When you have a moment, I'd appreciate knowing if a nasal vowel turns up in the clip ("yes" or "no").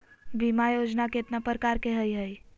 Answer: no